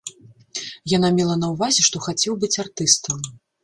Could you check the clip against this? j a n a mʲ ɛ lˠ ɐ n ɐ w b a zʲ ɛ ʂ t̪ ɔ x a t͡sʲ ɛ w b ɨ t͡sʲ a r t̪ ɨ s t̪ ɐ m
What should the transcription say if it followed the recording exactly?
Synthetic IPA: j a n a mʲ ɛ lˠ ɐ n ɐ w v a zʲ ɛ ʂ t̪ ɔ x a t͡sʲ ɛ w b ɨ t͡sʲ a r t̪ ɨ s t̪ ɐ m